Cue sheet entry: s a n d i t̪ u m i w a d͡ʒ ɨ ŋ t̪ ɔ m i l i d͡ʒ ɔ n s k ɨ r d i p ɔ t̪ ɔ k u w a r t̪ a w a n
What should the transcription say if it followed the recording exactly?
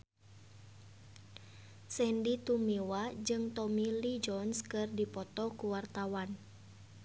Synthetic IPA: s ɛ n d i t̪ u m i w a d͡ʒ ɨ ŋ t̪ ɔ m i l i d͡ʒ ɔ n s k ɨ r d i p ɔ t̪ ɔ k u w a r t̪ a w a n